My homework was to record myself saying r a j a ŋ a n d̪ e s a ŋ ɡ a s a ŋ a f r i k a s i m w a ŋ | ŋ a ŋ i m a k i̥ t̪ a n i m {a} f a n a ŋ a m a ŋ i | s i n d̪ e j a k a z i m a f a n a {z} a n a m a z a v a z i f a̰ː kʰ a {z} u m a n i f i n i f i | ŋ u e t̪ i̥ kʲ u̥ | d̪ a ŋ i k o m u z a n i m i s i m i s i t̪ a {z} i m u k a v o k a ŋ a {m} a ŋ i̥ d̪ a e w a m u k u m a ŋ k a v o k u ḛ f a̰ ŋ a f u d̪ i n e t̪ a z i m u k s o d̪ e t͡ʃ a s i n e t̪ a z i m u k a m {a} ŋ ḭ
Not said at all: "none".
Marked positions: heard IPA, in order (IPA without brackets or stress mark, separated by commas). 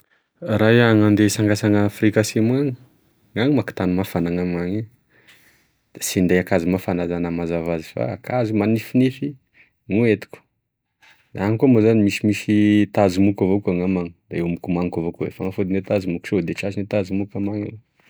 a, z, z, z, m, a